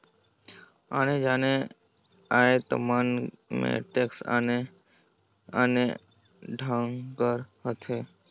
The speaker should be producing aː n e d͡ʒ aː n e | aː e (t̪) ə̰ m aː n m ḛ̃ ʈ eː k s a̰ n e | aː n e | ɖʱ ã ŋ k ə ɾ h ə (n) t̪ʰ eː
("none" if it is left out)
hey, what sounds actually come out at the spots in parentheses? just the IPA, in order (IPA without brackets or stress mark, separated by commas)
t̪, none